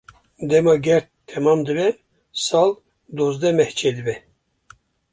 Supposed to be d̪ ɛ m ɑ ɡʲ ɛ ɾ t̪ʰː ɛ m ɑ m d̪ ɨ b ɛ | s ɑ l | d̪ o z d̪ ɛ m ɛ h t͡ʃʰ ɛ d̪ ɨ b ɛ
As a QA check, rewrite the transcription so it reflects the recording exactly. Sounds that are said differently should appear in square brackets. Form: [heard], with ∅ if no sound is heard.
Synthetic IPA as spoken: d̪ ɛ m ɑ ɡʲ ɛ ɾ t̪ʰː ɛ m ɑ m d̪ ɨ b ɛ | s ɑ l | d̪ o z d̪ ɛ m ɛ h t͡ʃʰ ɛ d̪ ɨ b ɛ